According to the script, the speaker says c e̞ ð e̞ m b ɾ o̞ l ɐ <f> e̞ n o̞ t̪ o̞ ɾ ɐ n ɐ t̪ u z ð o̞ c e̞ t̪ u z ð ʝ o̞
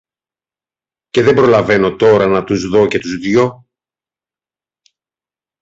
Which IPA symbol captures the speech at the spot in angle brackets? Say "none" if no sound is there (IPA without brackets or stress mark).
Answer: v